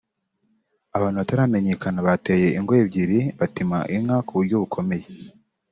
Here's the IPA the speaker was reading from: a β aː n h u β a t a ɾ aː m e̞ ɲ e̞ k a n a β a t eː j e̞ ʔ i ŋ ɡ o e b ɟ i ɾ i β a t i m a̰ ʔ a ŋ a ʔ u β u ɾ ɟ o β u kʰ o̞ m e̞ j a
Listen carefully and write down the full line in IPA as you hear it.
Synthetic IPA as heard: a β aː n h u β a t a ɾ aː m e̞ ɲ e̞ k a n a β a t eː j e̞ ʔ i ŋ ɡ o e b ɟ i ɾ i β a t i m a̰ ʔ i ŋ a k u β u ɾ ɟ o β u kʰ o̞ m e̞ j e